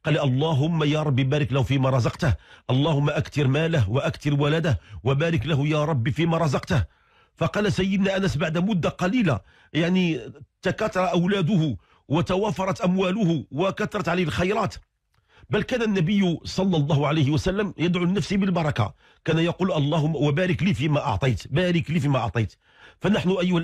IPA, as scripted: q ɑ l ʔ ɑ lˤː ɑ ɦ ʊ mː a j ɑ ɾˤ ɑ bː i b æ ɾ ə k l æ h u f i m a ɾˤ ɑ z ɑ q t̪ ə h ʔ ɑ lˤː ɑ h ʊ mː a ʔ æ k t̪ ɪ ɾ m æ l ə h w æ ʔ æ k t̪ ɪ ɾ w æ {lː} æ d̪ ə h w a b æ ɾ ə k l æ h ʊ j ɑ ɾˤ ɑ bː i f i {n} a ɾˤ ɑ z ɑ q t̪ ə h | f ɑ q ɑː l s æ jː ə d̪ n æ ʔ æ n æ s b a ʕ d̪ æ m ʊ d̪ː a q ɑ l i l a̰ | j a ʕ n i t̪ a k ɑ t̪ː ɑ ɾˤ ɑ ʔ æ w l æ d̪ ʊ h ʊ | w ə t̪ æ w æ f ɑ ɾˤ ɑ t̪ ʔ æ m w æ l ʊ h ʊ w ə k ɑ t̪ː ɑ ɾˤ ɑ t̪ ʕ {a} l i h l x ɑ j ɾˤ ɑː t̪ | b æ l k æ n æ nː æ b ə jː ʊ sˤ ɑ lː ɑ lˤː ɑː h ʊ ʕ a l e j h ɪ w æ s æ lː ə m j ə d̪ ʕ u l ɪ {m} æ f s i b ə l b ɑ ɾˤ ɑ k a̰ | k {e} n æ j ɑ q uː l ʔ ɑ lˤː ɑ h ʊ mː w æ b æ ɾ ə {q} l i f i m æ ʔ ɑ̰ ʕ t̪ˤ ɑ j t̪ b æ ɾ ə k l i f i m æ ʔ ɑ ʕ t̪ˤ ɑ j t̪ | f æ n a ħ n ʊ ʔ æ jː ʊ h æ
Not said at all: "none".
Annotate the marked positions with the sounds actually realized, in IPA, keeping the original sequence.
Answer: l, m, a, n, æ, k

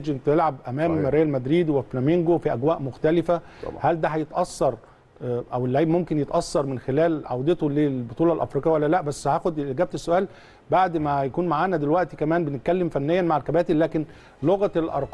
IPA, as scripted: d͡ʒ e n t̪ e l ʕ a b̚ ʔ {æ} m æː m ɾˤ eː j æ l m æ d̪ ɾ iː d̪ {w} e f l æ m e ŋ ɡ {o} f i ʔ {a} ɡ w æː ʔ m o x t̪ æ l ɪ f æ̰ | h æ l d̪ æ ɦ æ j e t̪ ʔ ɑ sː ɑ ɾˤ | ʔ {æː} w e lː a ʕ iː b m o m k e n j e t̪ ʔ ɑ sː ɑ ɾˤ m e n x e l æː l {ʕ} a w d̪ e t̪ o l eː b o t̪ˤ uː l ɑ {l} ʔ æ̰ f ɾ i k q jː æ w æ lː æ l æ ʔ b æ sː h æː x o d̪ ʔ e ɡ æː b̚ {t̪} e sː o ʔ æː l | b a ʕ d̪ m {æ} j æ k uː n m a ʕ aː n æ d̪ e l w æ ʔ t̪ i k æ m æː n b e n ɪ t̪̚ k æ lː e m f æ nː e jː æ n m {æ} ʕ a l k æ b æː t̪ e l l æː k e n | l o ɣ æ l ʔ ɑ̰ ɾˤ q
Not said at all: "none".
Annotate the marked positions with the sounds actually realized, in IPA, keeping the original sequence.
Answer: æ, w, o, æ, æ, ʕ, l, t̪, æ, a

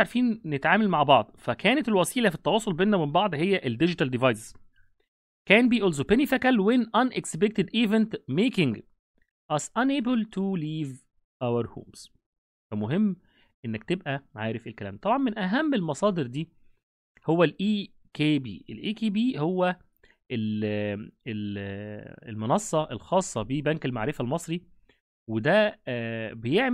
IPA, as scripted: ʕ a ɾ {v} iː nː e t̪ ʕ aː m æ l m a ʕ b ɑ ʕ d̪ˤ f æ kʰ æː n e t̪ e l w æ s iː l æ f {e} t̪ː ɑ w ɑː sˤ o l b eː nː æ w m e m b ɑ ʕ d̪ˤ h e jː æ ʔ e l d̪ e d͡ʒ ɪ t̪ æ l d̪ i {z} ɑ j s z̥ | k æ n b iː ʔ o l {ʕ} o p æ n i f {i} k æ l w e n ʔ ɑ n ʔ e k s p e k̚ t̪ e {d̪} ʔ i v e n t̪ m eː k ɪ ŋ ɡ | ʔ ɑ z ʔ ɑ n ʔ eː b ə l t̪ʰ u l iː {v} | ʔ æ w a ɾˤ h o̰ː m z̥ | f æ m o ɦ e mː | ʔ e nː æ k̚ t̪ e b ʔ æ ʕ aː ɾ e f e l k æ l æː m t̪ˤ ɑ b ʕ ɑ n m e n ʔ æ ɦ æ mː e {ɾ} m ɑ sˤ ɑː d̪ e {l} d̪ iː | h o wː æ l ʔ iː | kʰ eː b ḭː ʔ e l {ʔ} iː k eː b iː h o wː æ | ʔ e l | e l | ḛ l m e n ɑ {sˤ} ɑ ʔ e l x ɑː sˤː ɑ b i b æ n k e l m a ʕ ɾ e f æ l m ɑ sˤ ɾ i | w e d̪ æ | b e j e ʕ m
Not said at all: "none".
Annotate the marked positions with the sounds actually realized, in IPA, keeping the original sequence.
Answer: f, i, v, z, æ, d̪, v, l, ɾ, ʔ, sˤː

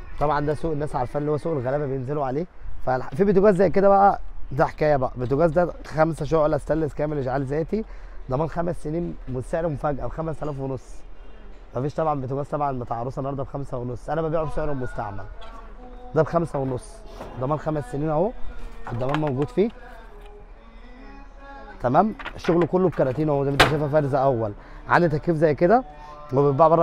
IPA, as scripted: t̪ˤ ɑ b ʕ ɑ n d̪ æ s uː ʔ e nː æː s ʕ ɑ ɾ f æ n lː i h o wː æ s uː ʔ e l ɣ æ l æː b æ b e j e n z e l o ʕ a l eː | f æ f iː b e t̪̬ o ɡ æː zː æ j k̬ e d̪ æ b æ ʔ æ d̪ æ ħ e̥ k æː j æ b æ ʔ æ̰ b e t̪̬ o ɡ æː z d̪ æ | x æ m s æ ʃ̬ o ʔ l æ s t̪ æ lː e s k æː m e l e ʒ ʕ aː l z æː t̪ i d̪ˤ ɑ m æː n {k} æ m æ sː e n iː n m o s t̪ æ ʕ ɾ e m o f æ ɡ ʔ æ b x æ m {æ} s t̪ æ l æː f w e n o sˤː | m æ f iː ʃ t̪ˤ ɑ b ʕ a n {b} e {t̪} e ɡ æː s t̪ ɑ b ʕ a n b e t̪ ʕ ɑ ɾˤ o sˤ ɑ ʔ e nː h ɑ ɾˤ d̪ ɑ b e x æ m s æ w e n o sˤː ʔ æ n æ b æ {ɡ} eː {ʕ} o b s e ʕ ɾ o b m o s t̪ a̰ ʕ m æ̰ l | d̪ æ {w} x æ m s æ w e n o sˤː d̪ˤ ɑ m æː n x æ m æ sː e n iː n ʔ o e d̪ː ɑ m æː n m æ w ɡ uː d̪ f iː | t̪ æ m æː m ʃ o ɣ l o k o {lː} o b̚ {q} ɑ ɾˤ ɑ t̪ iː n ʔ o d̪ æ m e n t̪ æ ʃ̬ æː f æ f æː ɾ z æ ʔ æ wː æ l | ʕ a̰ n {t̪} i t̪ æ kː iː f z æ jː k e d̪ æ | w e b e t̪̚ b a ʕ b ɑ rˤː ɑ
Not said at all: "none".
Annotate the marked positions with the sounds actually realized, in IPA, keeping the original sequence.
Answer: x, æ, b, t̪, b, ʕ, b, lː, k, d̪

